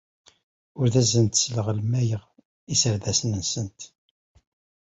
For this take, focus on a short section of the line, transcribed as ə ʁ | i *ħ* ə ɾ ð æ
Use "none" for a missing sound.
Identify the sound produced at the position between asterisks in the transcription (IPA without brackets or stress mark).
s